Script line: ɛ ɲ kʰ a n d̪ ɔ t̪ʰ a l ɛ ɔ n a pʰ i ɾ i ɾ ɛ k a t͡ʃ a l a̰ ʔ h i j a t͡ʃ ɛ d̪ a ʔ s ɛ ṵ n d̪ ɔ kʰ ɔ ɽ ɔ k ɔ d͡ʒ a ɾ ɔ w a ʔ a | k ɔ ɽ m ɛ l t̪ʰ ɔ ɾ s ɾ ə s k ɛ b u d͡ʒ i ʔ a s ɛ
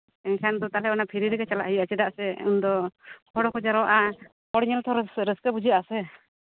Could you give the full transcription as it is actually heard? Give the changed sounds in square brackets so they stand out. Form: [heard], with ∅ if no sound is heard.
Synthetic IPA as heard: ɛ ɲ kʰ a n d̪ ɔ [t̪] a l ɛ ɔ n a pʰ i ɾ i ɾ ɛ k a t͡ʃ a l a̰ ʔ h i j a t͡ʃ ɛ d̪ a ʔ s ɛ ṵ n d̪ ɔ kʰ ɔ ɽ ɔ k ɔ d͡ʒ a ɾ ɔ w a ʔ a | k ɔ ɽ [ɲ] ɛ l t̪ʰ ɔ ɾ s ɾ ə s k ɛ b u d͡ʒ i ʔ a s ɛ